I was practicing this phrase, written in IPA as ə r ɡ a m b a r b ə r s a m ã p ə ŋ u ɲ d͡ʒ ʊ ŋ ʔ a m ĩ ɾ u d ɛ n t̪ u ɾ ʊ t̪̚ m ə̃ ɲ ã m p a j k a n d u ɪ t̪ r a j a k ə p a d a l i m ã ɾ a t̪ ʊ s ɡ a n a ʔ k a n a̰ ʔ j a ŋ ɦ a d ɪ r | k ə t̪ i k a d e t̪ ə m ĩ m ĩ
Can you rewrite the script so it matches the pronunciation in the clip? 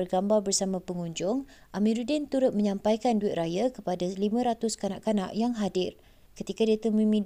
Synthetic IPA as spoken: ə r ɡ a m b a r b ə r s a m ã p ə ŋ u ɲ d͡ʒ ʊ ŋ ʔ a m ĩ ɾ u d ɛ n t̪ u ɾ ʊ t̪̚ m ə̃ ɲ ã m p a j k a n d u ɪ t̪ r a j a k ə p a d a l i m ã ɾ a t̪ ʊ s k a n a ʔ k a n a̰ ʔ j a ŋ ɦ a d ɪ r | k ə t̪ i k a d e t̪ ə m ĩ m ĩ